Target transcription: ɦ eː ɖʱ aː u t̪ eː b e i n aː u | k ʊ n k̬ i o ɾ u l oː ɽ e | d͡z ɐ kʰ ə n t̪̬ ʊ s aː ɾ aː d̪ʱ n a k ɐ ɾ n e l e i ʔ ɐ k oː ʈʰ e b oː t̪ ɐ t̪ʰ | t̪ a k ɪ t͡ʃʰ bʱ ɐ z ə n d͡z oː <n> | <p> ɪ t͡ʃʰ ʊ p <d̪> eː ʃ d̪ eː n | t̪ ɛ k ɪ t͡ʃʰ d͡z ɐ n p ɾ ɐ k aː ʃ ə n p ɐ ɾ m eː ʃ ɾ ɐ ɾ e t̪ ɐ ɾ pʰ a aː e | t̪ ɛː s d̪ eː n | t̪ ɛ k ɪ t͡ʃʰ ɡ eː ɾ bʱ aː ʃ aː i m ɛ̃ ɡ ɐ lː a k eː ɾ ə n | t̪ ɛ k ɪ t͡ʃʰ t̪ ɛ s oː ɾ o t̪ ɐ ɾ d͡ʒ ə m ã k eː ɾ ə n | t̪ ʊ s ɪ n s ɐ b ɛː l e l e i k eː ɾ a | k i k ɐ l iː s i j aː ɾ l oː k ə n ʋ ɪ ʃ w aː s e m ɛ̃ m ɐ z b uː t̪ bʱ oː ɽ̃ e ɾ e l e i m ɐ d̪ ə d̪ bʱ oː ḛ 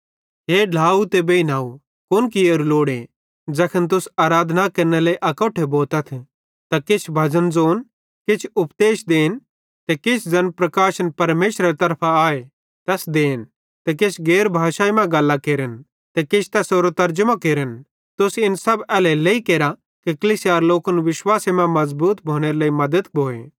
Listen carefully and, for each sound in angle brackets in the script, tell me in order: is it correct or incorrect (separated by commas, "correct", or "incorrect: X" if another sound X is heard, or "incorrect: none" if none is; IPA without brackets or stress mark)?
correct, incorrect: k, correct